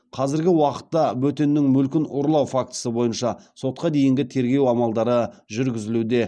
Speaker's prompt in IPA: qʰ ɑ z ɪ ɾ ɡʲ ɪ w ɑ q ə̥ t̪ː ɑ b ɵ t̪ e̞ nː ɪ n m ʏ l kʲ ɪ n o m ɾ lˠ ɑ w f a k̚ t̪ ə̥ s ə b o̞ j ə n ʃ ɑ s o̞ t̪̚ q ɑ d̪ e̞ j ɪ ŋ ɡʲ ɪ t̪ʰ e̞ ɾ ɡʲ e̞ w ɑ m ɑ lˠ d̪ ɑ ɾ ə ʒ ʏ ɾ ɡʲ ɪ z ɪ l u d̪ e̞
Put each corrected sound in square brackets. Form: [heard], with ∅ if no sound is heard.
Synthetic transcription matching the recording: qʰ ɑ z ɪ ɾ ɡʲ ɪ w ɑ q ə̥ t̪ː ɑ b ɵ t̪ e̞ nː ɪ [ŋ] m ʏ l kʲ ɪ n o [∅] ɾ lˠ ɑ w f a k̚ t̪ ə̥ s ə b o̞ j ə n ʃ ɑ s o̞ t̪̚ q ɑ d̪ e̞ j ɪ ŋ ɡʲ ɪ t̪ʰ e̞ ɾ ɡʲ e̞ w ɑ m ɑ lˠ d̪ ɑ ɾ ə ʒ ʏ ɾ ɡʲ ɪ z ɪ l u d̪ e̞